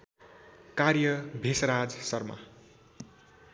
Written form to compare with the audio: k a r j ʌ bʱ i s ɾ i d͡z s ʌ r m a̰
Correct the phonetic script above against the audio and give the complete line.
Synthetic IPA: k a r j ʌ bʱ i s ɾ a d͡z s ʌ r m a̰

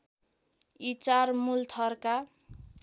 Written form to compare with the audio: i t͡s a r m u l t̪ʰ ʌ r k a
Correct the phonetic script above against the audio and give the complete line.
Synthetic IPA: i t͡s a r m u l t̪ʰ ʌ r k a

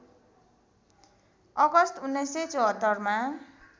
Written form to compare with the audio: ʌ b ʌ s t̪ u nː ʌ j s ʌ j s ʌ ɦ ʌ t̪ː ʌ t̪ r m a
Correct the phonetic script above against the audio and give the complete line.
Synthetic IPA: ʌ ɡ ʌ s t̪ u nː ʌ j s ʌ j t͡s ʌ ɦ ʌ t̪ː ʌ r m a

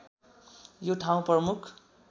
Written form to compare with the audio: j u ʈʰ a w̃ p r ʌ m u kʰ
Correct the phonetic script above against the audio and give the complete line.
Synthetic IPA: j o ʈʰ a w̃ p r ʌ m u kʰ

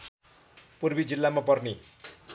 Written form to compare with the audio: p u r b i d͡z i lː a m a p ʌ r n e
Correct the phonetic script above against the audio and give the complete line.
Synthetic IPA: p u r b i d͡z i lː a m a p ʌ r n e

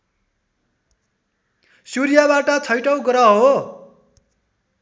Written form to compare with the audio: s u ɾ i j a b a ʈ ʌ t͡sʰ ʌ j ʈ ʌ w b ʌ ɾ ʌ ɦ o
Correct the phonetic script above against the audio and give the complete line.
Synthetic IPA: s u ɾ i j a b a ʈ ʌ t͡sʰ ʌ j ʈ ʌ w ɡ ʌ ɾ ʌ ɦ o

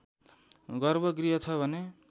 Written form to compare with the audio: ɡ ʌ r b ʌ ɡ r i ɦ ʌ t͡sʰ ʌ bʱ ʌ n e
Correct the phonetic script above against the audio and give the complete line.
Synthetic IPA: ɡ ʌ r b ʌ ɡ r i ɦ ʌ t͡sʰ ʌ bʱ ʌ n e

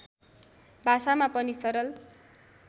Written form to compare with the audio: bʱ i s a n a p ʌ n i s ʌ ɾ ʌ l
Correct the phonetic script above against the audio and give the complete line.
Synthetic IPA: bʱ a s a m a p ʌ n i s ʌ ɾ ʌ l

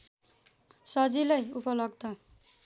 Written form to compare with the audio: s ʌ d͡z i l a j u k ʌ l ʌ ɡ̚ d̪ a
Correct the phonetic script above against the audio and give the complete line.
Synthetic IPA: s ʌ d͡z i l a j u p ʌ l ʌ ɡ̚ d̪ ʌ

